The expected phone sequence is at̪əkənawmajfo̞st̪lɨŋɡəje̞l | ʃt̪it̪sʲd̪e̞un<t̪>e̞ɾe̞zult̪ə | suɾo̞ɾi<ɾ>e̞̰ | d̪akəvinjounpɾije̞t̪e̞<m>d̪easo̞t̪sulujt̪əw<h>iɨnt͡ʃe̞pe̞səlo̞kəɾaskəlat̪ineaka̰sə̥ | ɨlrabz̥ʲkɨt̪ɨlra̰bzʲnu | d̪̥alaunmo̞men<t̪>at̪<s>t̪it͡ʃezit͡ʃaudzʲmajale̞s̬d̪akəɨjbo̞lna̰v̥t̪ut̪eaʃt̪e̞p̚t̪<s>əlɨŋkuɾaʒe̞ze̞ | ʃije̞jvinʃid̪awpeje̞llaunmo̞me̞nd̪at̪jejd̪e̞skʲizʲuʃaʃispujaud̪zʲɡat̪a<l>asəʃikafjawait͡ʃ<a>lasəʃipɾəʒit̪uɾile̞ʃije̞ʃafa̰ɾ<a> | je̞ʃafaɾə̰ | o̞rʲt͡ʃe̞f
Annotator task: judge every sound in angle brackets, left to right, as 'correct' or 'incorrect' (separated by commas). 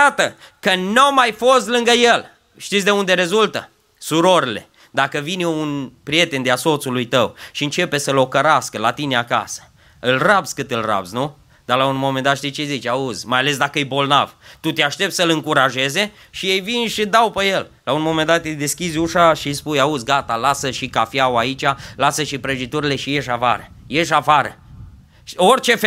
incorrect, incorrect, incorrect, incorrect, incorrect, incorrect, correct, correct, correct, incorrect